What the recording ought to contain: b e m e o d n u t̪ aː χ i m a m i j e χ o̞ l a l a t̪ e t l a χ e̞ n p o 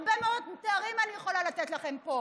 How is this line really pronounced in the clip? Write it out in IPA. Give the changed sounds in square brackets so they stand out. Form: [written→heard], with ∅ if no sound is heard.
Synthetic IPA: b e m e o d [n→m] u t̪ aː [χ→ʁ] i m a [m→n] i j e χ o̞ l a l a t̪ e t l a χ e̞ [n→m] p o